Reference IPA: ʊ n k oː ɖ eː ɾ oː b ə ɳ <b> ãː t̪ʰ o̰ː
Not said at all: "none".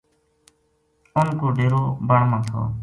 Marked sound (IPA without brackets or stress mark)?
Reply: m